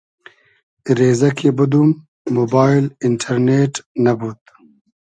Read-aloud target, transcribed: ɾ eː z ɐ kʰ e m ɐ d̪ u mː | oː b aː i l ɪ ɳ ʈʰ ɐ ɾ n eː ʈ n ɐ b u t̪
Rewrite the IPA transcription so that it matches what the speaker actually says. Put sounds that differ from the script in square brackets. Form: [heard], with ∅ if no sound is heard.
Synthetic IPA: ɾ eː z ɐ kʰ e [b] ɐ d̪ u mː | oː b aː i l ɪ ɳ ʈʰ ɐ ɾ n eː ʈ n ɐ b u t̪